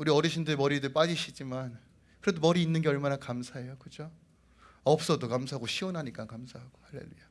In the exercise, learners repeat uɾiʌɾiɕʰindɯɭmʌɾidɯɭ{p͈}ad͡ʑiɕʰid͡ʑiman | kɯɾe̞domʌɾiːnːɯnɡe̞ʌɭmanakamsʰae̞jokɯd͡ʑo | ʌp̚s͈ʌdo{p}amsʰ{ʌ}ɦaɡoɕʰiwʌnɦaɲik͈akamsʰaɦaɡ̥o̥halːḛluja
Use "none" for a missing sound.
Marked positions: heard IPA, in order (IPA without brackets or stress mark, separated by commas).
p͈, k, a